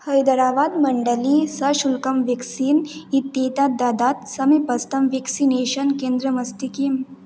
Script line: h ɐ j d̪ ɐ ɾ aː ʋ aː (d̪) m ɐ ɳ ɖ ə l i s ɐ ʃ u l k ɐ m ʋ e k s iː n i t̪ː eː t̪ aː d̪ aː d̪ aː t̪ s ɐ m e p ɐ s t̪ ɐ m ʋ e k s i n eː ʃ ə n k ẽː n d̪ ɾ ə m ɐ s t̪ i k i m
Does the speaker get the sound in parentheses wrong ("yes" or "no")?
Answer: no